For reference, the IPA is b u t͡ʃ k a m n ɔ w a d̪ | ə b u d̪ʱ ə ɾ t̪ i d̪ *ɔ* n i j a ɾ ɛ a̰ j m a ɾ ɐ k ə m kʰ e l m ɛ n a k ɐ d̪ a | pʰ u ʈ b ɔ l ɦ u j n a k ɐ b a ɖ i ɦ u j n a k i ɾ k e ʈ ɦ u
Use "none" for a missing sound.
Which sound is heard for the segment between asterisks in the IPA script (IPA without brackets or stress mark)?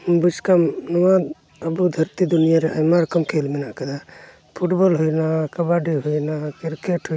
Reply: u